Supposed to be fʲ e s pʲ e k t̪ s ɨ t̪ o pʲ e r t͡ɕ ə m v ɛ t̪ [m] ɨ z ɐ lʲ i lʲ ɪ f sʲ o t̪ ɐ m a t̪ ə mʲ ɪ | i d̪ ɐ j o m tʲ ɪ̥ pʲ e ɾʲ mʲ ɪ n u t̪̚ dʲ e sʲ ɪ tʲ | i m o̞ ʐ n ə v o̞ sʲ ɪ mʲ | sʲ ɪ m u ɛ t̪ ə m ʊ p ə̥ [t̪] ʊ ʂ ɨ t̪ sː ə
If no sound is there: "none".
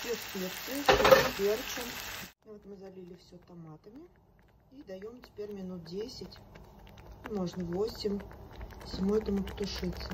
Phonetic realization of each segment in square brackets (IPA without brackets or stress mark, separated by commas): m, t̪